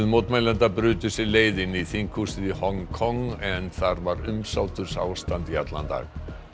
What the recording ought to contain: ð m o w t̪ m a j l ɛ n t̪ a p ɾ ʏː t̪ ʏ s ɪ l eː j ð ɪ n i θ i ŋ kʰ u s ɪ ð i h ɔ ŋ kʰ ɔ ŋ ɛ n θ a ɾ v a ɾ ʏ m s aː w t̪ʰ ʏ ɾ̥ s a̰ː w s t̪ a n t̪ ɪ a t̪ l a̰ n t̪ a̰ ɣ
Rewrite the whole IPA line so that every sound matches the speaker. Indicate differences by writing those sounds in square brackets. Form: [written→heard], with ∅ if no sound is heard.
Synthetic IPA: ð m o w t̪ m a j l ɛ n t̪ a p ɾ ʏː t̪ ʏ s ɪ l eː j ð ɪ n i θ i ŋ kʰ u s ɪ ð i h ɔ ŋ kʰ ɔ ŋ ɛ n θ a ɾ v a ɾ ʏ m s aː w [t̪ʰ→t̪] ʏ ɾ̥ s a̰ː w s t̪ a n t̪ [ɪ→i] a t̪ l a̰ n t̪ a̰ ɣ